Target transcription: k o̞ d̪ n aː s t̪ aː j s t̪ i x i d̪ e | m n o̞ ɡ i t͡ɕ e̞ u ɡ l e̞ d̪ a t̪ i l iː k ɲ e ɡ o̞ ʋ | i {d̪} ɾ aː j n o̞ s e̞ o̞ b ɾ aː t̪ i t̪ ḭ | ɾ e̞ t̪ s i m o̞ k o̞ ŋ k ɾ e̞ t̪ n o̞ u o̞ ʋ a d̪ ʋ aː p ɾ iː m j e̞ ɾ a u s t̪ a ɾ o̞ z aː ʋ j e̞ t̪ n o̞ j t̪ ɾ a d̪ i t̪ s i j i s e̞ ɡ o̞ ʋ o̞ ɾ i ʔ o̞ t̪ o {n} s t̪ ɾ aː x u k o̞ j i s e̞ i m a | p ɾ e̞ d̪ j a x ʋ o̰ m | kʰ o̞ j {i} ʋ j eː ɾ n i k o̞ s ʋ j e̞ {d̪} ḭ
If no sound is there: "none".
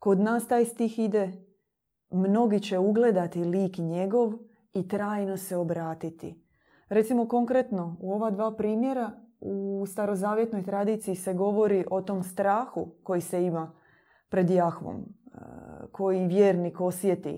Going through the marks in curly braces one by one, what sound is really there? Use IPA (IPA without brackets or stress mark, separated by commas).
t̪, m, i, t̪